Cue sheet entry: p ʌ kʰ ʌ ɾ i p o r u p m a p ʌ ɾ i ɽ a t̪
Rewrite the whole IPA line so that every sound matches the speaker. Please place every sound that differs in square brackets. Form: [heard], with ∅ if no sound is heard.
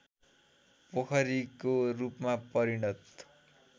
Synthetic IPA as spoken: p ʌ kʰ ʌ ɾ i [k] o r u p m a p ʌ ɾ i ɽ [ʌ] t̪